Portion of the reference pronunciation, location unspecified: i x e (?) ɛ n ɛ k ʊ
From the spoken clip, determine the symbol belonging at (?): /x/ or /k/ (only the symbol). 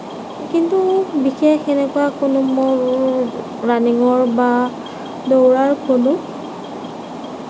x